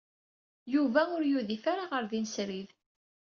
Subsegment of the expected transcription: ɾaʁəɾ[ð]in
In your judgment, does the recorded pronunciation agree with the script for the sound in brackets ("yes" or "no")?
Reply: yes